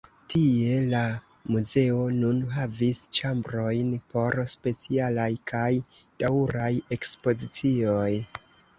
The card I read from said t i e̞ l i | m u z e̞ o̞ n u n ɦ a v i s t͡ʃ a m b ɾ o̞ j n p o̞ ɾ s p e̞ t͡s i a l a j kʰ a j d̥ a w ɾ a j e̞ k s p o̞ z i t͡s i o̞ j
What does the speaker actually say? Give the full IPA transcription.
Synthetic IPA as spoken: t i e̞ l a | m u z e̞ o̞ n u n ɦ a v i s t͡ʃ a m b ɾ o̞ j n p o̞ ɾ s p e̞ t͡s i a l a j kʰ a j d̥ a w ɾ a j e̞ k s p o̞ z i t͡s i o̞ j